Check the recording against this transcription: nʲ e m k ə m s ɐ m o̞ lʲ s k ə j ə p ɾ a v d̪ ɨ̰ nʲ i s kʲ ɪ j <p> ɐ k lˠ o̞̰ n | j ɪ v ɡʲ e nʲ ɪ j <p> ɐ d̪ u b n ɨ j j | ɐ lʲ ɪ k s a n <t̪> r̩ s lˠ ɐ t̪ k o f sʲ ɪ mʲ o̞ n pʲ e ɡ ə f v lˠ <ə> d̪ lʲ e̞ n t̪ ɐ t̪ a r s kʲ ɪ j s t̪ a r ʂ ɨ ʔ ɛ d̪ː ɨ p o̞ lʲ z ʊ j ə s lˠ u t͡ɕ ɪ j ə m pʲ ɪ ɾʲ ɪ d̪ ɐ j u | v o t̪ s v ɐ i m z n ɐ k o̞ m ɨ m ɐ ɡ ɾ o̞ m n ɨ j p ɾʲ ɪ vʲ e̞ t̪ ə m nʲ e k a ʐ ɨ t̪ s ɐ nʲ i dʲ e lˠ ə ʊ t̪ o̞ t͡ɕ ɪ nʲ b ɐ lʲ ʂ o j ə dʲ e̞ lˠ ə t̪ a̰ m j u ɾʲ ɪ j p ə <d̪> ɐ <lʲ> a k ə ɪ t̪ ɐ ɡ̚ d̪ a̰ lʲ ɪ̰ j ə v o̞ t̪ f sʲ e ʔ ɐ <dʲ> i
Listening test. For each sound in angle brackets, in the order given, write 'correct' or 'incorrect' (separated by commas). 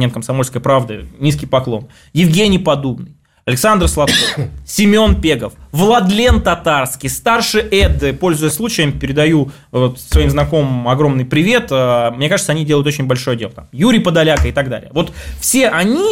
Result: correct, correct, incorrect, incorrect, correct, correct, incorrect